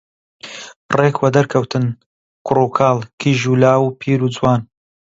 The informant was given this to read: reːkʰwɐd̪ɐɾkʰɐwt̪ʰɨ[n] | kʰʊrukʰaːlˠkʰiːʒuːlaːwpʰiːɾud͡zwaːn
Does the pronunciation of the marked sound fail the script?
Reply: no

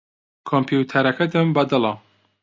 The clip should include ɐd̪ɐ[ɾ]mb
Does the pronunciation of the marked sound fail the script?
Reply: yes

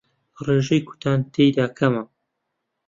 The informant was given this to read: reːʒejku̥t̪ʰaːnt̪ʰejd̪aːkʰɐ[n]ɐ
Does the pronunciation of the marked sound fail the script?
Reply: yes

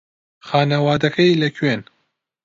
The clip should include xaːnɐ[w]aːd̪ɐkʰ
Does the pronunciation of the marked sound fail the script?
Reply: no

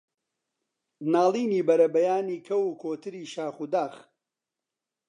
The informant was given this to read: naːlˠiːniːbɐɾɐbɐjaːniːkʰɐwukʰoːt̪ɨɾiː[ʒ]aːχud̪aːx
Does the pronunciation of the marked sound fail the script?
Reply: yes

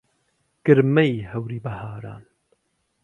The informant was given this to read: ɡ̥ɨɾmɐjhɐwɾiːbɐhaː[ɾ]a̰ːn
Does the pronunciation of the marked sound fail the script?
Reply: no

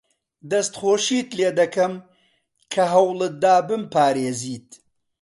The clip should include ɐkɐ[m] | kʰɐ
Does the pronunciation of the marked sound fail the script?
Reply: no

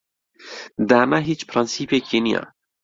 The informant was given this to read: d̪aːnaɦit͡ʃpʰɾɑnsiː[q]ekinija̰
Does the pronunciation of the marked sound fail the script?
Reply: yes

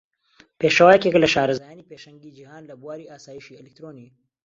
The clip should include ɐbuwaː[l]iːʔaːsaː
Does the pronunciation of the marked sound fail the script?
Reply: yes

